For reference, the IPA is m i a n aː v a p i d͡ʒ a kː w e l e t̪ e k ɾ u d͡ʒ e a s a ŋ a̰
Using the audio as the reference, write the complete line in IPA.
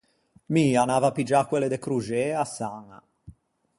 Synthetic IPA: m i a n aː v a p i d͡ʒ a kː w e l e d̪ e k ɾ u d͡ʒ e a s a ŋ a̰